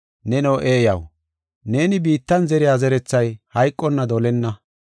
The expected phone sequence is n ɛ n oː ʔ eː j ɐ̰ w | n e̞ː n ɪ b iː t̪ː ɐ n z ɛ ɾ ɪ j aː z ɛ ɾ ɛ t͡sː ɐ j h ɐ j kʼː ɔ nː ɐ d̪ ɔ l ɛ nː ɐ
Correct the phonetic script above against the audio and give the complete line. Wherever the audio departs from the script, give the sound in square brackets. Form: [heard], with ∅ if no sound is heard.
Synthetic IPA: n ɛ n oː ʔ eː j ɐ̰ w | n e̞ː n ɪ b iː t̪ː ɐ n z ɛ ɾ ɪ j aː z ɛ ɾ ɛ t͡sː ɐ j h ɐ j kʼː ɔ nː ɐ d̪ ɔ l ɛ nː ɐ